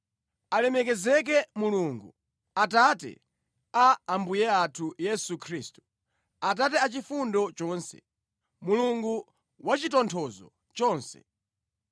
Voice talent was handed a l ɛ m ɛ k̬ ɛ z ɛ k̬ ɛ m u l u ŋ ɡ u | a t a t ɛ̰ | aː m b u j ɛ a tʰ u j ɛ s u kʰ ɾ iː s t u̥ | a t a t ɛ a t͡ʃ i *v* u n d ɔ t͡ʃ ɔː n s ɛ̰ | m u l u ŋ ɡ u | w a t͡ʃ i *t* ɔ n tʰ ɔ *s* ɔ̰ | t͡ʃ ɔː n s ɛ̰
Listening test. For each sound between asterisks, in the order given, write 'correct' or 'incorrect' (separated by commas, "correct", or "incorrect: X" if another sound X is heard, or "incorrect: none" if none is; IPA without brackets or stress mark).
incorrect: f, correct, incorrect: z